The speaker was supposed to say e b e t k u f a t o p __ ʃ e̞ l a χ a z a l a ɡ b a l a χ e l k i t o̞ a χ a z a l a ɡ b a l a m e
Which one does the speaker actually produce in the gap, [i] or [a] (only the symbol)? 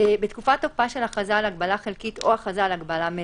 a